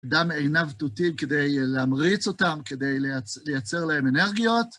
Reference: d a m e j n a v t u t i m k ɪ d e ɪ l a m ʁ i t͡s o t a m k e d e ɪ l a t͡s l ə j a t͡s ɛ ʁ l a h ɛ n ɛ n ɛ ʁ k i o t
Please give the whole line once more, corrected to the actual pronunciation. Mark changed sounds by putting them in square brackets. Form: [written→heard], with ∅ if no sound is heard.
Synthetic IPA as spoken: d a m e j n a v t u t i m k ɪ d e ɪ l a m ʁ i t͡s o t a m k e d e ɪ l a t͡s l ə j a t͡s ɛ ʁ l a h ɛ [n→m] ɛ n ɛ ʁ [k→ɡ] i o t